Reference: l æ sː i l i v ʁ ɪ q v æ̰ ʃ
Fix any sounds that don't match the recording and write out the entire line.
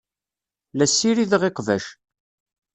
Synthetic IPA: l æ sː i ɾ i ð ʁ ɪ q v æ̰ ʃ